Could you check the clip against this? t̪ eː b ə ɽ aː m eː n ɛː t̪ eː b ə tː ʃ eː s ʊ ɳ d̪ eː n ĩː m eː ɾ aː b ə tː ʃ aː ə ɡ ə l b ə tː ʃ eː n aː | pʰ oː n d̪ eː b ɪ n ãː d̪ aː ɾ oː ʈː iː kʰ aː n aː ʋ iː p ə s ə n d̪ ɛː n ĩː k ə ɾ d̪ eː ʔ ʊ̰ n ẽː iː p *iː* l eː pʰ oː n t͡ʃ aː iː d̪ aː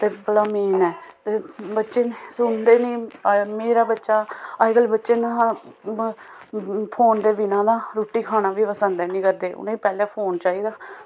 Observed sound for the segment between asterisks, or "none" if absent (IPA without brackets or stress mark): ɛː